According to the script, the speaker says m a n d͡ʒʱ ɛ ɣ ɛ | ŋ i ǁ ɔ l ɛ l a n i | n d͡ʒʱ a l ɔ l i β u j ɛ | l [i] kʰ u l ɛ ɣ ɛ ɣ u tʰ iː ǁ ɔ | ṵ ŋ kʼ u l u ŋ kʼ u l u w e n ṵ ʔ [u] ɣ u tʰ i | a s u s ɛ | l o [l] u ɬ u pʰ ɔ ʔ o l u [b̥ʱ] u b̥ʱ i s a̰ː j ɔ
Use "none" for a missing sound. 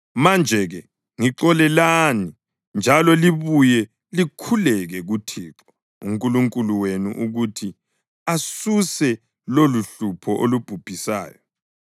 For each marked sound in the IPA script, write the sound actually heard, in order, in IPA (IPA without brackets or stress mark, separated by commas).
i, u, l, b̥ʱ